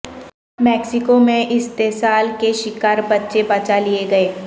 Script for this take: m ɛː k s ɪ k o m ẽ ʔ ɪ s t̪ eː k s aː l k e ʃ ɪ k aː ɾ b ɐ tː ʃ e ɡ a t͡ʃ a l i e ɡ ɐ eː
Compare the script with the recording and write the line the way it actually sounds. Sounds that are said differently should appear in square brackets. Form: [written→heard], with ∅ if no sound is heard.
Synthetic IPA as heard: m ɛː k s ɪ k o m ẽ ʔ ɪ s t̪ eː [k→∅] s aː l k e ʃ ɪ k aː ɾ b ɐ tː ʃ e [ɡ→b] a t͡ʃ a l i e ɡ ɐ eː